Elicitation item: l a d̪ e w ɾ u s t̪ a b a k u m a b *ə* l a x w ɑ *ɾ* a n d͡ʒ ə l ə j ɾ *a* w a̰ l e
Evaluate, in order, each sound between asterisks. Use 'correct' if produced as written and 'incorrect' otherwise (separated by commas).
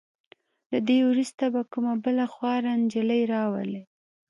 correct, correct, incorrect